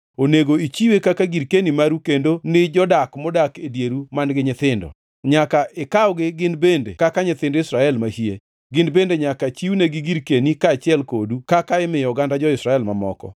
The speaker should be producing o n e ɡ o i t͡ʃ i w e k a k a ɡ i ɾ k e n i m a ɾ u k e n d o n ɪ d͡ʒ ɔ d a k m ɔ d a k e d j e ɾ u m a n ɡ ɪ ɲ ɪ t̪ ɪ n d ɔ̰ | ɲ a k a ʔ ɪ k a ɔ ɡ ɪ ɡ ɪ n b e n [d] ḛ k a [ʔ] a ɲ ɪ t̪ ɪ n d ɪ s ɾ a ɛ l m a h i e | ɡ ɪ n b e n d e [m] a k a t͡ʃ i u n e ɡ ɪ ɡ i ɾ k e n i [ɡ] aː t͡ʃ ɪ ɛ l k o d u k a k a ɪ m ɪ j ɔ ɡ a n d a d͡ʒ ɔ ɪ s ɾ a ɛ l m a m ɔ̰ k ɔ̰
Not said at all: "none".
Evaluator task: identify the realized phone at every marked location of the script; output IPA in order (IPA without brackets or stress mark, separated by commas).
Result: d, k, ɲ, k